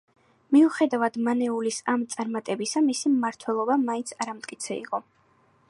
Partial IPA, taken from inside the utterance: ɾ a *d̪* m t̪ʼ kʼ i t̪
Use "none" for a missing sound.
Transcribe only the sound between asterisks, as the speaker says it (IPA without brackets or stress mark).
none